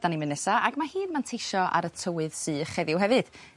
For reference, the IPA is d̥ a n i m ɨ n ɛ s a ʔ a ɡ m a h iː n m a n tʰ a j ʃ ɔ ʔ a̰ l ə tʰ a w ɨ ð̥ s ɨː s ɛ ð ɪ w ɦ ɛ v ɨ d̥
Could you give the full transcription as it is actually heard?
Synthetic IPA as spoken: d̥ a n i m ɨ n ɛ s a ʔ a ɡ m a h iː n m a n tʰ e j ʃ ɔ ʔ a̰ ɾ ə tʰ ə w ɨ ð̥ s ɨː χ ɛ ð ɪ w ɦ ɛ v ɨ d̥